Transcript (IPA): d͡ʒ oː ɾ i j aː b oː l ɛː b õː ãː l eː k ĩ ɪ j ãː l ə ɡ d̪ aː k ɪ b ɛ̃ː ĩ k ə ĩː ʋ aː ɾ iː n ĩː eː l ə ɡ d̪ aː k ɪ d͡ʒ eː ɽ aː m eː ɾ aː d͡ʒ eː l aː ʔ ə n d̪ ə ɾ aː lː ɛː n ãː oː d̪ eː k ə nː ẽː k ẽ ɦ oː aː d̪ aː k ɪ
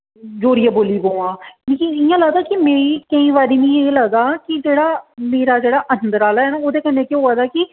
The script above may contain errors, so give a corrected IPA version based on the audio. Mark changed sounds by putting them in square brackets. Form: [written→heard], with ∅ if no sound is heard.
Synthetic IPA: d͡ʒ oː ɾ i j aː b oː l [ɛː→iː] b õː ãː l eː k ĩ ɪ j ãː l ə ɡ d̪ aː k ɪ [b→m] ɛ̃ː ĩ k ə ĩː ʋ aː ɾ iː n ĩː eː l ə ɡ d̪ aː k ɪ d͡ʒ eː ɽ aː m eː ɾ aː d͡ʒ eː [l→ɽ] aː ʔ ə n d̪ ə ɾ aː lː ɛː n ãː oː d̪ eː k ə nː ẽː k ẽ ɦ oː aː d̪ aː k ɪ